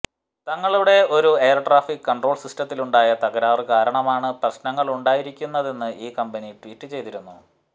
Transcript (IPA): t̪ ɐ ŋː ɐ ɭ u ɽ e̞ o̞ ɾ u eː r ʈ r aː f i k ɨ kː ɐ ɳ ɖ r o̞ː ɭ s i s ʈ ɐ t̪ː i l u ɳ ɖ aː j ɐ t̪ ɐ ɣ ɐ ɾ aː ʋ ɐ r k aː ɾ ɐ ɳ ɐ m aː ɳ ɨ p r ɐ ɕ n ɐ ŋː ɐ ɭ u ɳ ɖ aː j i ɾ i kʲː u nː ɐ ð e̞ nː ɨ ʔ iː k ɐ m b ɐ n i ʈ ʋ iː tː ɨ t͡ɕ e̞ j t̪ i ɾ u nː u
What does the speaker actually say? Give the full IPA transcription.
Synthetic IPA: t̪ ɐ ŋː ɐ ɭ u ɽ e̞ o̞ ɾ u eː r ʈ r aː f i k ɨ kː ɐ ɳ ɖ r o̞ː ɭ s i s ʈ ɐ t̪ː i l u ɳ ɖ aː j ɐ t̪ ɐ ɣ ɐ ɾ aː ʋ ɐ r k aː ɾ ɐ ɳ ɐ m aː ɳ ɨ p r ɐ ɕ n ɐ ŋː ɐ ɭ u ɳ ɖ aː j i ɾ i kʲː u nː ɐ ð e̞ nː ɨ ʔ iː k ɐ m b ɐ n i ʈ ʋ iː tː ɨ t͡ɕ e̞ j t̪ i ɾ u nː u

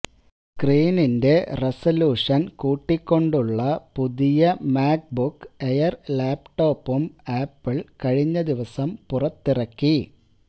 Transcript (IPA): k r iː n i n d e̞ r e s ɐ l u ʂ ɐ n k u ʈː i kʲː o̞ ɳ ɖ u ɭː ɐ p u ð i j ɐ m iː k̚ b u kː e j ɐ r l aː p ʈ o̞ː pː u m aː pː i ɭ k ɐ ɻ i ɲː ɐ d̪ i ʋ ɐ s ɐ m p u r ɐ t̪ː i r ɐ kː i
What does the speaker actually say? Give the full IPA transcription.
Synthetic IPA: k r iː n i n d e̞ r e s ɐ l uː ʂ ɐ n k uː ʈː i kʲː o̞ ɳ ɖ u ɭː ɐ p u ð i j ɐ m aː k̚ b u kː e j ɐ r l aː p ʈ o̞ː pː u m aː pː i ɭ k ɐ ɻ i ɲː ɐ d̪ i ʋ ɐ s ɐ m p u r ɐ t̪ː i r ɐ kː i

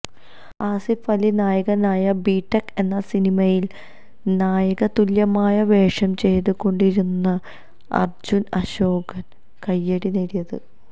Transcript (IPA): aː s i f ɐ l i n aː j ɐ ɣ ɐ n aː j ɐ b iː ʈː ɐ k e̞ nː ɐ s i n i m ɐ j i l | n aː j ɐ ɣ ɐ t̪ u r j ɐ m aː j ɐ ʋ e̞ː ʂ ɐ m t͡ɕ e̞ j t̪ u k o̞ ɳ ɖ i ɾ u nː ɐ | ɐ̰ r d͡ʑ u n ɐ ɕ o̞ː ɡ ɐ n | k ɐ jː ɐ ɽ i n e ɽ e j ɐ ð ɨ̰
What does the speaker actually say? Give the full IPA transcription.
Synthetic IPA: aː s i f ɐ l i n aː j ɐ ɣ ɐ n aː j ɐ b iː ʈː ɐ k e̞ nː ɐ s i n i m ɐ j i l | n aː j ɐ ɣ ɐ t̪ u l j ɐ m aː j ɐ ʋ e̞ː ʂ ɐ m t͡ɕ e̞ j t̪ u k o̞ ɳ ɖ i ɾ u nː ɐ | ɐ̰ r d͡ʑ u n ɐ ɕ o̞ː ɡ ɐ n | k ɐ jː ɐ ɽ i n e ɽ i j ɐ ð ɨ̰

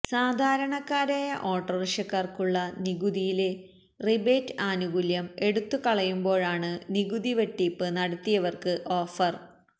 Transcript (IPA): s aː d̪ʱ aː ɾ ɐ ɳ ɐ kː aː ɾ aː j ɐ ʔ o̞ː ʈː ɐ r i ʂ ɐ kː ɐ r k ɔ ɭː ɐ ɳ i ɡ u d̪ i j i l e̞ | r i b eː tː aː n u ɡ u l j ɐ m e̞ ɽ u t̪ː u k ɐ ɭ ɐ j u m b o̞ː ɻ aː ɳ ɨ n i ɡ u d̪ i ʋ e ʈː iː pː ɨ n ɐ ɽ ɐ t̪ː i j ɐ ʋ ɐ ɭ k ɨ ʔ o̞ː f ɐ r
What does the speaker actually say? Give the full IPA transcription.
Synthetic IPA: s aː d̪ʱ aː ɾ ɐ ɳ ɐ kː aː ɾ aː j ɐ ʔ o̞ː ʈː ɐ r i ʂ ɐ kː ɐ r k u ɭː ɐ n i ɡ u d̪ i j i l e̞ | r i b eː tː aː n u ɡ u l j ɐ m e̞ ɽ u t̪ː u k ɐ ɭ ɐ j u m b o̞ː ɻ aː ɳ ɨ n i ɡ u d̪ i ʋ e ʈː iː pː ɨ n ɐ ɽ ɐ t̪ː i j ɐ ʋ ɐ r k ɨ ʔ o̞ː f ɐ r

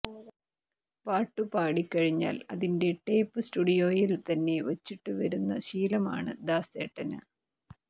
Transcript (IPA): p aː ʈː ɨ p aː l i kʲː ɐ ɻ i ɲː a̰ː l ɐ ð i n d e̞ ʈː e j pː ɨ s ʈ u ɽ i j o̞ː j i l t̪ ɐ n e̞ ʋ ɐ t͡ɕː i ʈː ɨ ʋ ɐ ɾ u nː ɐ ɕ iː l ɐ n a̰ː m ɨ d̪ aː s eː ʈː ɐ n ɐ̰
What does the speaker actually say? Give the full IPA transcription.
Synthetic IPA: p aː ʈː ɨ p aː ɽ i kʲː ɐ ɻ i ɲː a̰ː l ɐ ð i n d e̞ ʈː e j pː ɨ s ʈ u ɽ i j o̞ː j i l t̪ ɐ nː e̞ ʋ ɐ t͡ɕː i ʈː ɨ ʋ ɐ ɾ u nː ɐ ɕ iː l ɐ m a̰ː ɳ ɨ d̪ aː s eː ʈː ɐ n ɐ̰

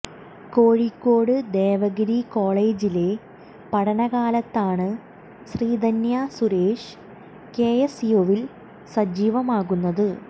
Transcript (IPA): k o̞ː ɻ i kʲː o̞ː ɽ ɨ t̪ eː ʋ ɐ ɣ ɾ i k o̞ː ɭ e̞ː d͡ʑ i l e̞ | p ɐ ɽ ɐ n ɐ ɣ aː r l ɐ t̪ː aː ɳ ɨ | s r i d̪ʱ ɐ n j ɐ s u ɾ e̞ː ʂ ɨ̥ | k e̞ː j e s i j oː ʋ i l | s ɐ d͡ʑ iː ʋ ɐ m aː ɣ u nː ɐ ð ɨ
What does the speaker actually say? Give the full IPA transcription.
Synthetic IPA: k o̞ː ɻ i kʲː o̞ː ɽ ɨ d̪ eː ʋ ɐ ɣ ɾ i k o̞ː ɭ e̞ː d͡ʑ i l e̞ | p ɐ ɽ ɐ n ɐ ɣ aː l ɐ t̪ː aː ɳ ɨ | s r iː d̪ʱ ɐ n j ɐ s u ɾ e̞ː ʂ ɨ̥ | k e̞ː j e s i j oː ʋ i l | s ɐ d͡ʑ iː ʋ ɐ m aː ɣ u nː ɐ ð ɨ

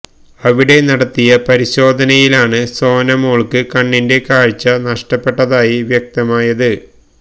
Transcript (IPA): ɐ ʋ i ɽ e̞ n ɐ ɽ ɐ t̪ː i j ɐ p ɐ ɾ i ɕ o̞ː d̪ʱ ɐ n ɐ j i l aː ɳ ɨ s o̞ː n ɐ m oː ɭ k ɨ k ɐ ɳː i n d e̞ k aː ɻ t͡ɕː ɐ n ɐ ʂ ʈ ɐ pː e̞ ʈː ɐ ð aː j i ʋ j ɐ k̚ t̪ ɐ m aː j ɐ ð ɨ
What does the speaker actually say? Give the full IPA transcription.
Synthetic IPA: ɐ ʋ i ɽ e̞ n ɐ ɽ ɐ t̪ː i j ɐ p ɐ ɾ i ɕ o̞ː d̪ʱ ɐ n ɐ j i l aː ɳ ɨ s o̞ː n ɐ m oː ɭ k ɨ k ɐ ɳː i n d e̞ k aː ɻ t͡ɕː ɐ n ɐ ʂ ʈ ɐ pː e̞ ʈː ɐ ð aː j i ʋ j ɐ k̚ t̪ ɐ m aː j ɐ ð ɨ

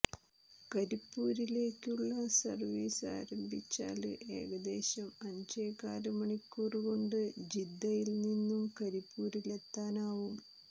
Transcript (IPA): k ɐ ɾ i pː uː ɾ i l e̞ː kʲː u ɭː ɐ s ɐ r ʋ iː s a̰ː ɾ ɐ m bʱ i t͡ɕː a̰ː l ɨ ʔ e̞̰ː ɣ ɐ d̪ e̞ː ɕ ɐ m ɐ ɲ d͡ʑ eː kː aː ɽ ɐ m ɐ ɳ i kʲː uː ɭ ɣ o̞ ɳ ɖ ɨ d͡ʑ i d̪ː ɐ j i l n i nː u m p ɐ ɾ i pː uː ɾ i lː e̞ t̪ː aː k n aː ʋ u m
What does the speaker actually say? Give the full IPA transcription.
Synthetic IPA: k ɐ ɾ i pː uː ɾ i l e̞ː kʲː u ɭː ɐ s ɐ r ʋ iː s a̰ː ɾ ɐ m bʱ i t͡ɕː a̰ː l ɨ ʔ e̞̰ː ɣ ɐ d̪ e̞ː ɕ ɐ m ɐ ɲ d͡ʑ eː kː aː ɾ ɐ m ɐ ɳ i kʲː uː r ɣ o̞ ɳ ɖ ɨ d͡ʑ i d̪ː ɐ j i l n i nː u m k ɐ ɾ i pː uː ɾ i l e̞ t̪ː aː n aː ʋ u m

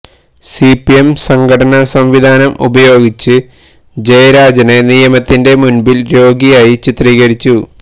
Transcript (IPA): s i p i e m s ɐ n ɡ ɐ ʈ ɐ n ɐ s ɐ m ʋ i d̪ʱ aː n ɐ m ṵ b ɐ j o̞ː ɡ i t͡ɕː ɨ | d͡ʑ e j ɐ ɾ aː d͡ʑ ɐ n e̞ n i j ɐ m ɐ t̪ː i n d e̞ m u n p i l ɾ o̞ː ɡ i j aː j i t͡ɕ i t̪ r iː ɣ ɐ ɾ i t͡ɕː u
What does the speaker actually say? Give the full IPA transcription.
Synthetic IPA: s i p i e m s ɐ ŋ ɡ ɐ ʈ ɐ n ɐ s ɐ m ʋ i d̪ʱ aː n ɐ m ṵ b ɐ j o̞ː ɡ i t͡ɕː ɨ | d͡ʑ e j ɐ ɾ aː d͡ʑ ɐ n e̞ n i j ɐ m ɐ t̪ː i n d e̞ m u n b i l ɾ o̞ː ɡ i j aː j i t͡ɕ i t̪ r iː ɣ ɐ ɾ i t͡ɕː u

